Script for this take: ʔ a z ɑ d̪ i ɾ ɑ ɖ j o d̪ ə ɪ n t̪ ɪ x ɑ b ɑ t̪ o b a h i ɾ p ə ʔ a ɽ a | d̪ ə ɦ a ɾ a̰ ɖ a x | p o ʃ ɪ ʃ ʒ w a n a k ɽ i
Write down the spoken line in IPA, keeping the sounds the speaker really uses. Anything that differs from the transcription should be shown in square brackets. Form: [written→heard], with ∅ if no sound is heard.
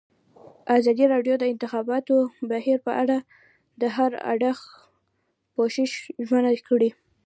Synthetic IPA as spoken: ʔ a z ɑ d̪ i ɾ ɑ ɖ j o d̪ ə ɪ n t̪ ɪ x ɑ b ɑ t̪ o b a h i ɾ p ə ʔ a ɽ a | d̪ ə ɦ a ɾ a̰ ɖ a x | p o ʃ ɪ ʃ ʒ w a n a k ɽ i